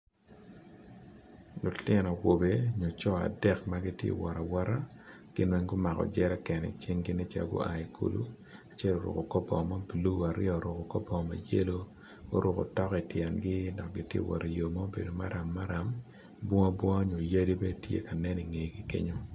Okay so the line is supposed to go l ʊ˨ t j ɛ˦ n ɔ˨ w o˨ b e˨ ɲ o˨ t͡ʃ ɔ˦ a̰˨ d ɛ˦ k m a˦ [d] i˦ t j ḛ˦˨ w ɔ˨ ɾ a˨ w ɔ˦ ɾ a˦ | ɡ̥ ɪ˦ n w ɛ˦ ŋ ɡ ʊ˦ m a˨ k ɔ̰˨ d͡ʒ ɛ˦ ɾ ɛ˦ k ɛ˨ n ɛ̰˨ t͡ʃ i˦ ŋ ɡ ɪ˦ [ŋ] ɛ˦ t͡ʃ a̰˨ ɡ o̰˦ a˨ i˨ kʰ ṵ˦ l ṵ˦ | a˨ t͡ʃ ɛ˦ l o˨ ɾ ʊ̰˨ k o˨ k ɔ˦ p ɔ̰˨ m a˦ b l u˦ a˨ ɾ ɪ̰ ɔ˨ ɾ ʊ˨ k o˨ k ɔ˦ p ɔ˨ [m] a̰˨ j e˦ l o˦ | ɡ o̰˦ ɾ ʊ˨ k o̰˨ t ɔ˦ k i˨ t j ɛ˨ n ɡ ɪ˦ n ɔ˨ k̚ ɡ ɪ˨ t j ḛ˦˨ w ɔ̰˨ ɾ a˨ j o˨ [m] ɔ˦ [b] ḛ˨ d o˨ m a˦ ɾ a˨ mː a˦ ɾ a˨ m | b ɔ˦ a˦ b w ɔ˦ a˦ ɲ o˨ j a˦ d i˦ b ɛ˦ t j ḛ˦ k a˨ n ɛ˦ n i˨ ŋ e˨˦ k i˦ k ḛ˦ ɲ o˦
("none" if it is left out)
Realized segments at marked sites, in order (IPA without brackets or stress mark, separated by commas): ɡ, n, m, m, b